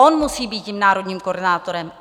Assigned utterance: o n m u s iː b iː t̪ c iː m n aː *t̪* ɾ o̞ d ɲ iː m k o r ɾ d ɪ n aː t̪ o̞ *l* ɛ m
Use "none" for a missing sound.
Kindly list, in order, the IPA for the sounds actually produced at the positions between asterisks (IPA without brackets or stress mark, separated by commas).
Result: none, ɾ